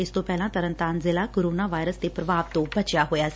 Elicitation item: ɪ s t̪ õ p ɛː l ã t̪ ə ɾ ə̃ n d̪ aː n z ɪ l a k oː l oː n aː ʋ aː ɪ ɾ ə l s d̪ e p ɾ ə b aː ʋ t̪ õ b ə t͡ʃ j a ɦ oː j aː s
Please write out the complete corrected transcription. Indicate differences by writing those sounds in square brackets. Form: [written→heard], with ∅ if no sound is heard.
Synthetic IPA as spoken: ɪ s t̪ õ p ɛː l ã t̪ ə ɾ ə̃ n [d̪→t̪] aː n z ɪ l a k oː [l→ɾ] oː n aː ʋ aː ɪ ɾ ə [l→∅] s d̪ e p ɾ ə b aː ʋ t̪ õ b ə t͡ʃ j a ɦ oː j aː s

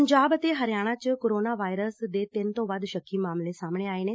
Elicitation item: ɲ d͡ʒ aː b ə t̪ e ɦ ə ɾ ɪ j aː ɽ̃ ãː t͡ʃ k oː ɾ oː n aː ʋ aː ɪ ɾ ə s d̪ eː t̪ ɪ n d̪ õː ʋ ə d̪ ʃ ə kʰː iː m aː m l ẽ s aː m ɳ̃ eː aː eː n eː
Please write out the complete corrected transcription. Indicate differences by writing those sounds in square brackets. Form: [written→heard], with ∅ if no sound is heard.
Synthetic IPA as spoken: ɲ d͡ʒ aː b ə t̪ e ɦ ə ɾ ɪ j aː ɽ̃ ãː t͡ʃ k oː ɾ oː n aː ʋ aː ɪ ɾ ə s d̪ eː t̪ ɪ n [d̪→t̪] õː ʋ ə d̪ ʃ ə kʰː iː m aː m l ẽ s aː m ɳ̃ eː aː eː n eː

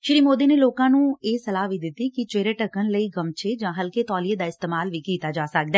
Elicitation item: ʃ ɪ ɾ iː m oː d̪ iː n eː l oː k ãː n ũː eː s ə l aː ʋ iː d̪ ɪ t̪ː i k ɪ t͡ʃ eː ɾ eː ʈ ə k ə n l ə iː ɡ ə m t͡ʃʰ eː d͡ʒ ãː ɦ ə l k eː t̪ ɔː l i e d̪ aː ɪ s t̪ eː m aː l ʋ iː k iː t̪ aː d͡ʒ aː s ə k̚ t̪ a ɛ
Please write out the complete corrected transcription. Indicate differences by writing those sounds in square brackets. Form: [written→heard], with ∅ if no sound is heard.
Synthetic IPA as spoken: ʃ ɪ ɾ iː m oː d̪ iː n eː l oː k ãː n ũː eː s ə l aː ʋ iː d̪ ɪ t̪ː i k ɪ t͡ʃ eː ɾ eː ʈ ə k ə n l ə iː ɡ ə m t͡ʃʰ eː d͡ʒ ãː ɦ ə l k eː t̪ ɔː l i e d̪ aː ɪ s t̪ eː m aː l ʋ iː k iː t̪ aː d͡ʒ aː s ə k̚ [t̪→d̪] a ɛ

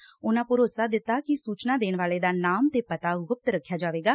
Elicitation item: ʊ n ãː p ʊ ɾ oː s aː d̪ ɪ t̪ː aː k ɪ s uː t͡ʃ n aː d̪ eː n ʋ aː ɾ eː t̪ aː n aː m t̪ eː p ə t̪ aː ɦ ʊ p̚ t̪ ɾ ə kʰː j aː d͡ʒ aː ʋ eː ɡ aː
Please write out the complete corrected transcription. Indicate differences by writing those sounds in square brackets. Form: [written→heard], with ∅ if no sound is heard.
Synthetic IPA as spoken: ʊ n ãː p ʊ ɾ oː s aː d̪ ɪ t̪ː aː k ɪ s uː t͡ʃ n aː d̪ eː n ʋ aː [ɾ→l] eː [t̪→d̪] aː n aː m t̪ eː p ə t̪ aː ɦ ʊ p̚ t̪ ɾ ə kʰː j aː d͡ʒ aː ʋ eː ɡ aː

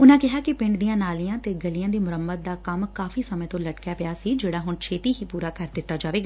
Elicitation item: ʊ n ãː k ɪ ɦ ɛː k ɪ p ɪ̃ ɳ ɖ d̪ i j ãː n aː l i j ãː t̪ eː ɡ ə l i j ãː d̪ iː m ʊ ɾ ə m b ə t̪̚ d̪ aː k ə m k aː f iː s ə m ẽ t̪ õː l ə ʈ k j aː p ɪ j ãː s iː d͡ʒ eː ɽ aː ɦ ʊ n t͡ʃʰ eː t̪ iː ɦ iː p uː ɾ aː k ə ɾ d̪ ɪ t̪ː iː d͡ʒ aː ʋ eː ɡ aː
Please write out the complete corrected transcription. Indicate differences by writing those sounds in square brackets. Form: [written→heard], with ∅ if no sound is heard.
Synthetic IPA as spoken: ʊ n ãː k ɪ ɦ [ɛː→aː] k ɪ p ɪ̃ ɳ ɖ d̪ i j ãː n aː l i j ãː t̪ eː ɡ ə l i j ãː d̪ iː m ʊ ɾ ə m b ə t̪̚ d̪ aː k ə m k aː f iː s ə m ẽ t̪ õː l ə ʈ k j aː p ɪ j [ãː→aː] s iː d͡ʒ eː ɽ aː ɦ ʊ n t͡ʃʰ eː t̪ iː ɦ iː p uː ɾ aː k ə ɾ d̪ ɪ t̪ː [iː→aː] d͡ʒ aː ʋ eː ɡ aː

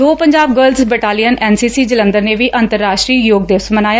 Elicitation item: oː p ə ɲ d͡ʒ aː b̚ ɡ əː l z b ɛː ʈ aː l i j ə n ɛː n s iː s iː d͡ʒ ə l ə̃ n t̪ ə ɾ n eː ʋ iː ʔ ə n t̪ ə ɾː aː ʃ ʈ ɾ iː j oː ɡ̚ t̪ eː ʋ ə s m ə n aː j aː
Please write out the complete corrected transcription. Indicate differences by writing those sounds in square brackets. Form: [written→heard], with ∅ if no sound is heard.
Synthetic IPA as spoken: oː p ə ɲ d͡ʒ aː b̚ ɡ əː l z b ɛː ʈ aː l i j ə n ɛː n s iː s iː d͡ʒ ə l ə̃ n [t̪→d̪] ə ɾ n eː ʋ iː ʔ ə n t̪ ə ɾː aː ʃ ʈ ɾ iː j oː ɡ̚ [t̪→d̪] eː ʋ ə s m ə n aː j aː

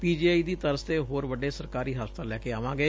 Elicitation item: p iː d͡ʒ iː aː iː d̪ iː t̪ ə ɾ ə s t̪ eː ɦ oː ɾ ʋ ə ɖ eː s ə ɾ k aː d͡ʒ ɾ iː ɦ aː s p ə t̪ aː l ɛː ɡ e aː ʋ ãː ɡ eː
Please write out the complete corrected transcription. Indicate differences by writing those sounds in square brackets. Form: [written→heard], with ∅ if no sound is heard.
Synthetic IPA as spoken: p iː d͡ʒ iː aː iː d̪ iː t̪ ə ɾ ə s t̪ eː ɦ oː ɾ ʋ ə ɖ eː s ə ɾ k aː [d͡ʒ→∅] ɾ iː ɦ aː s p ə t̪ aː l ɛː [ɡ→k] e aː ʋ ãː ɡ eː

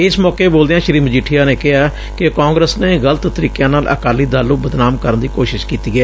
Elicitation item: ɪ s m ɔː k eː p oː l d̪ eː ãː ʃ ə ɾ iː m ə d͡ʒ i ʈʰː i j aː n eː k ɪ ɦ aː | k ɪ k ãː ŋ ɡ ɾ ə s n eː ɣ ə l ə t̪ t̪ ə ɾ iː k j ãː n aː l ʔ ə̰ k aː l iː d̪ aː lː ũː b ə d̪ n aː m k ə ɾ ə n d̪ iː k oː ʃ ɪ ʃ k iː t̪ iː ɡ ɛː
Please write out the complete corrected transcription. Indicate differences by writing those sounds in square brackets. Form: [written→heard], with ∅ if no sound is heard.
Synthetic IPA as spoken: ɪ s m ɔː k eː [p→b] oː l d̪ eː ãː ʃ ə ɾ iː m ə d͡ʒ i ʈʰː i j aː n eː k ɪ ɦ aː | k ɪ k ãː ŋ ɡ ɾ ə s n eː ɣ ə l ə t̪ t̪ ə ɾ iː k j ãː n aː l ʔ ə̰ k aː l iː d̪ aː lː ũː b ə d̪ n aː m k ə ɾ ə n d̪ iː k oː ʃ ɪ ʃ k iː t̪ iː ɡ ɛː

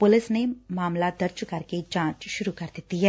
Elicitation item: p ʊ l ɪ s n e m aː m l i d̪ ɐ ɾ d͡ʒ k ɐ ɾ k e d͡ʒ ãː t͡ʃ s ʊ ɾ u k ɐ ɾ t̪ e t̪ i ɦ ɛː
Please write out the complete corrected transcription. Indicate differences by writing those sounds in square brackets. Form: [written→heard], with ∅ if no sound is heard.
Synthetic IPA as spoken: p ʊ l ɪ s n e m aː m l [i→a] d̪ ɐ ɾ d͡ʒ k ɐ ɾ k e d͡ʒ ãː t͡ʃ [s→ʃ] ʊ ɾ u k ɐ ɾ [t̪→d̪] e t̪ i ɦ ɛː

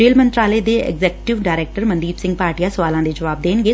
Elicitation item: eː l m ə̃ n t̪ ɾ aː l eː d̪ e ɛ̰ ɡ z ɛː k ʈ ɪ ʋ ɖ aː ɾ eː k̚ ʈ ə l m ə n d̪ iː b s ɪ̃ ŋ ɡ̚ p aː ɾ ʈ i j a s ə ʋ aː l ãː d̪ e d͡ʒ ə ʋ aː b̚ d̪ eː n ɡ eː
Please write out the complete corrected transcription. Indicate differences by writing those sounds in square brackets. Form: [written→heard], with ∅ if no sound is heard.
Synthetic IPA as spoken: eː l m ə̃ n t̪ ɾ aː l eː d̪ e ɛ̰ ɡ z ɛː k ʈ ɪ ʋ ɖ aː ɾ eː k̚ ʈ ə [l→ɾ] m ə n d̪ iː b s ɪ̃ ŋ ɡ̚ p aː ɾ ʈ i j a s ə ʋ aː l ãː d̪ e d͡ʒ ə ʋ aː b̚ d̪ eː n ɡ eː

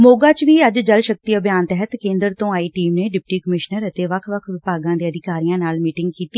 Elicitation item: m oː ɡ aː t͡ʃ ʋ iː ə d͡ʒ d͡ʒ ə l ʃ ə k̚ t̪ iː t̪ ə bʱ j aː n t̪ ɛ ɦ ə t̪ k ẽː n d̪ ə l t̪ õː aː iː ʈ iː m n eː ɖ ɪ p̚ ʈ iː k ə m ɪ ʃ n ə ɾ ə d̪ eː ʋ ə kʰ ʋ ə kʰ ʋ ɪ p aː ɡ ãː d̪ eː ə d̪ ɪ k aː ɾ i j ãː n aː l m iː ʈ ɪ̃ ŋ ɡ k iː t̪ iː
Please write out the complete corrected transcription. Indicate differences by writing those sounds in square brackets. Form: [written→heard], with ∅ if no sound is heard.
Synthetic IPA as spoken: m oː ɡ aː t͡ʃ ʋ iː ə d͡ʒ d͡ʒ ə l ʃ ə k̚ t̪ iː [t̪→∅] ə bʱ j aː n t̪ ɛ ɦ ə t̪ k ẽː n d̪ ə [l→ɾ] t̪ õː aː iː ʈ iː m n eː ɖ ɪ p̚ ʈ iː k ə m ɪ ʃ n ə ɾ ə [d̪→t̪] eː ʋ ə kʰ ʋ ə kʰ ʋ ɪ p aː ɡ ãː d̪ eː ə d̪ ɪ k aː ɾ i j ãː n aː l m iː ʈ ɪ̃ ŋ ɡ k iː t̪ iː

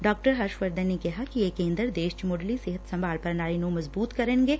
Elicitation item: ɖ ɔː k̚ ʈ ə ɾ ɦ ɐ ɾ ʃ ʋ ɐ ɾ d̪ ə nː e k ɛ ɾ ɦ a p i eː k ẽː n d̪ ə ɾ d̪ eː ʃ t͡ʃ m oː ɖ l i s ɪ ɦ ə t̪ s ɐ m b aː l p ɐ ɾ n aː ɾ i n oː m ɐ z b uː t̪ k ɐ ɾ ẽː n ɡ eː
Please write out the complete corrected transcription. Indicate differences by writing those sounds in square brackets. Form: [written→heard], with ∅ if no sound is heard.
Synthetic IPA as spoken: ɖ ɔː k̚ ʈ ə ɾ ɦ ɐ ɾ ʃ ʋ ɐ ɾ d̪ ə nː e k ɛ [ɾ→∅] ɦ a [p→k] i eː k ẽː n d̪ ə ɾ d̪ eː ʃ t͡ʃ m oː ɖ l i s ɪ ɦ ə t̪ s ɐ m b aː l p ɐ ɾ n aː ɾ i n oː m ɐ z b uː t̪ k ɐ ɾ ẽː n ɡ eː

